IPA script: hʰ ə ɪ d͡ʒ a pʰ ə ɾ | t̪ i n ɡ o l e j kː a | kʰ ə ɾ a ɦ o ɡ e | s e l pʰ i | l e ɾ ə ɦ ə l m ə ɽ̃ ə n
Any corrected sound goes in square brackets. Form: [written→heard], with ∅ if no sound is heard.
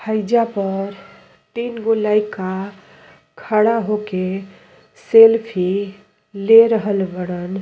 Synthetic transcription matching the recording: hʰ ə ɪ d͡ʒ a [pʰ→p] ə ɾ | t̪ i n ɡ o l [e→a] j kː a | kʰ ə [ɾ→ɽ] a ɦ o [ɡ→k] e | s e l pʰ i | l e ɾ ə ɦ ə l [m→b] ə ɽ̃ ə n